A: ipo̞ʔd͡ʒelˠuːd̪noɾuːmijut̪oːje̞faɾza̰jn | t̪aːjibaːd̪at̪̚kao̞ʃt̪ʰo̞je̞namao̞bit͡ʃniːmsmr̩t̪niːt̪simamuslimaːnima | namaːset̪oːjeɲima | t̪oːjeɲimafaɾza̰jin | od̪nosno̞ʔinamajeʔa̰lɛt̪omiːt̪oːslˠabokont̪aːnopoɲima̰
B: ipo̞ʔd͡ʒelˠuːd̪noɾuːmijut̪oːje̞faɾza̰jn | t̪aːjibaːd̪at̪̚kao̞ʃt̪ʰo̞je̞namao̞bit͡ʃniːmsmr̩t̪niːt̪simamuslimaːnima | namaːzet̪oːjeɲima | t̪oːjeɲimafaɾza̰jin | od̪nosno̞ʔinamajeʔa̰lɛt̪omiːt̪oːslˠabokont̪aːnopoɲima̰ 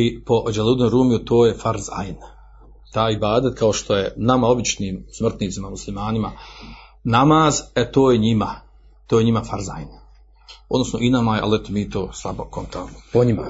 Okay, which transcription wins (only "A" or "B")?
B